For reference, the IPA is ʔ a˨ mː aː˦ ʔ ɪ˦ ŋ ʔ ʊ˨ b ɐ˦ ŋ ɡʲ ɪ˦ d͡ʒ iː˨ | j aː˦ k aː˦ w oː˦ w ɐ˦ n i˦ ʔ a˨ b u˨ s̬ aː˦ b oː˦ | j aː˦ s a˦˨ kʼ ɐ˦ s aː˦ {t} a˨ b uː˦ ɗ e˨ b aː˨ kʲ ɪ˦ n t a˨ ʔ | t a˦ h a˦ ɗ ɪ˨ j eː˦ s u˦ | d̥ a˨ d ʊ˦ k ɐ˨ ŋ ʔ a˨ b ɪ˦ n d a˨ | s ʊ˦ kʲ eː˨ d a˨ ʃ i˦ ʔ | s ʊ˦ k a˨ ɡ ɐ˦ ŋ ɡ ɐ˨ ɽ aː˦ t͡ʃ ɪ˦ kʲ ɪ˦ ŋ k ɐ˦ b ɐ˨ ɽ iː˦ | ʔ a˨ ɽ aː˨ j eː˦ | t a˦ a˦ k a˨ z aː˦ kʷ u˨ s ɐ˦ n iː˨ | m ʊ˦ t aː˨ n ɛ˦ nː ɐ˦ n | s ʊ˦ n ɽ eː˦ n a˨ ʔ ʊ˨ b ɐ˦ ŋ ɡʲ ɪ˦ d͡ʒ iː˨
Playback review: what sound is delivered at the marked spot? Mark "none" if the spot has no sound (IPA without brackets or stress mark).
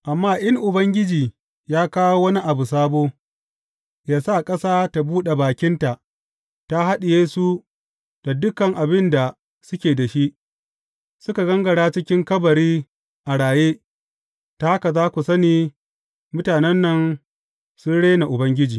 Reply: t